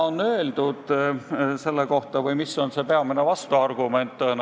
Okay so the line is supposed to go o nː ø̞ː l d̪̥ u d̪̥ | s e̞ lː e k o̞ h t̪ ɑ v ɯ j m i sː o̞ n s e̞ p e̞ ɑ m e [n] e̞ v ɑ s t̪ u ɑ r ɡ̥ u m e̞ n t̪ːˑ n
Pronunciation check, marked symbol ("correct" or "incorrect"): correct